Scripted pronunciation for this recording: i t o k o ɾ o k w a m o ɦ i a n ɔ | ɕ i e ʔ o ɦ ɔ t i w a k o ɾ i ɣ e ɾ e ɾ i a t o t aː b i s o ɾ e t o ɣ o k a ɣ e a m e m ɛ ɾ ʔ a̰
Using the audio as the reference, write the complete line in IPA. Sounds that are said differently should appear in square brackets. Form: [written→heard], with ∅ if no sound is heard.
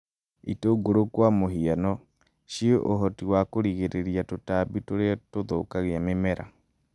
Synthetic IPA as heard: i t o [k→ɡ] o ɾ o k w a m o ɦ i a n ɔ | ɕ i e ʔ o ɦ ɔ t i w a k o ɾ i ɣ e ɾ e ɾ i a t o t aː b i [s→t] o ɾ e t o [ɣ→ð] o k a ɣ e a m e m ɛ ɾ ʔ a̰